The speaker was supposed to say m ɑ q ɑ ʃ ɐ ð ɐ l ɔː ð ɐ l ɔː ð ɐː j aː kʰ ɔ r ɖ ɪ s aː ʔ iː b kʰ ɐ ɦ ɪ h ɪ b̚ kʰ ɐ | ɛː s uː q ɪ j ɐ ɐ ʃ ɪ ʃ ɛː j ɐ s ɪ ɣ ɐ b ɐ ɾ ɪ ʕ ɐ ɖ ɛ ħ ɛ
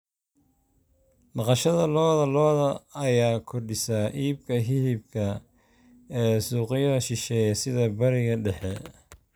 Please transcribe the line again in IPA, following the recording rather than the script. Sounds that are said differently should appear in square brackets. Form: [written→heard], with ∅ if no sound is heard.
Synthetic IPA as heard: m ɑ q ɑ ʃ ɐ ð ɐ l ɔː ð ɐ l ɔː ð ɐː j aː kʰ ɔ r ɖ ɪ s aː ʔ iː b kʰ ɐ ɦ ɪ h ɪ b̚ kʰ ɐ | ɛː s uː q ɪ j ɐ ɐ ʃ ɪ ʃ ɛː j ɐ s ɪ [ɣ→ð] ɐ b ɐ ɾ ɪ [ʕ→ɣ] ɐ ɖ ɛ ħ ɛ